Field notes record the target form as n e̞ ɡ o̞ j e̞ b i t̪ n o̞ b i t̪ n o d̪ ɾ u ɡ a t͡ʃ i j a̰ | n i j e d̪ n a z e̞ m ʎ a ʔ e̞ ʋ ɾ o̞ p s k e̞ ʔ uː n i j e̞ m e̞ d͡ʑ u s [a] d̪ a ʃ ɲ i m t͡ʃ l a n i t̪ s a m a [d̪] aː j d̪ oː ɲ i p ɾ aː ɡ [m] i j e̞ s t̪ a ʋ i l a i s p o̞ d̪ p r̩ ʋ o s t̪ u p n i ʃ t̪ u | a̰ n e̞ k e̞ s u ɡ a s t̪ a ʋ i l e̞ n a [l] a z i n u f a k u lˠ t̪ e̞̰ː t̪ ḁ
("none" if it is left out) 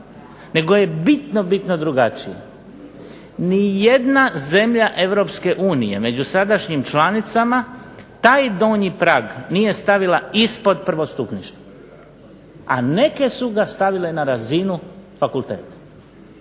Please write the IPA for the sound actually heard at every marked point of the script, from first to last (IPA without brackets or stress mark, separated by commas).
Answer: a, t̪, n, ɾ